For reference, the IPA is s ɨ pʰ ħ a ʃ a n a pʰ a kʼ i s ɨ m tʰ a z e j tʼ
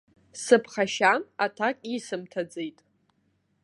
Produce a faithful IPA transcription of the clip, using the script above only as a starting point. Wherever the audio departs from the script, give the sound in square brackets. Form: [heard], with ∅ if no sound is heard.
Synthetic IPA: s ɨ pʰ [χ] a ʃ a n a [tʰ] a kʼ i s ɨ m tʰ a [d͡z] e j tʼ